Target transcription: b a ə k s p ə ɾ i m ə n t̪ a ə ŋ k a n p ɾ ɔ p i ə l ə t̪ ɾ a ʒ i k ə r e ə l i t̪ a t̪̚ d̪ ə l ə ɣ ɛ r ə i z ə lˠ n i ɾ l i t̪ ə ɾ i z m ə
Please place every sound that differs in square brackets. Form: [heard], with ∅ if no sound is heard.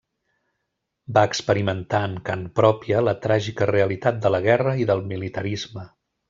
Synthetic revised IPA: b a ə k s p ə ɾ i m ə n t̪ a ə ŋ k a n p ɾ ɔ p i ə l ə t̪ ɾ a ʒ i k ə r e ə l i t̪ a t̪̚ d̪ ə l ə ɣ ɛ r ə i [ð] ə lˠ [m] i [∅] l i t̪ ə ɾ i z m ə